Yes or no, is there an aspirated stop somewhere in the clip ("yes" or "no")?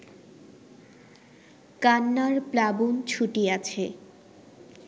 yes